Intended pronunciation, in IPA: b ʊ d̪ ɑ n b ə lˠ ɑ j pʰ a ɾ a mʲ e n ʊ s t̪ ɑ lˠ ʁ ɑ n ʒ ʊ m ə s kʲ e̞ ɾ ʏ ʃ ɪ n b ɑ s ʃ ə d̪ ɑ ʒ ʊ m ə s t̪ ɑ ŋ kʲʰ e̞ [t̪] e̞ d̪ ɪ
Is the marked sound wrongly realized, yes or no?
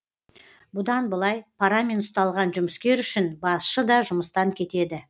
no